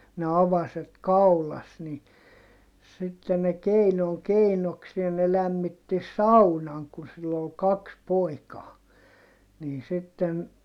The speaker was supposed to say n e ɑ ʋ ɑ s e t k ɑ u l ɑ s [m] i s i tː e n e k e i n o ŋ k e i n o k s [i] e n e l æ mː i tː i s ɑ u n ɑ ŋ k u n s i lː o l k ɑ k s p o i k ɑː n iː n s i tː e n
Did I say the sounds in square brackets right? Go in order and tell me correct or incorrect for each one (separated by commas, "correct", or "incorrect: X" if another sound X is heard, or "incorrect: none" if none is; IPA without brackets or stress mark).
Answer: incorrect: n, correct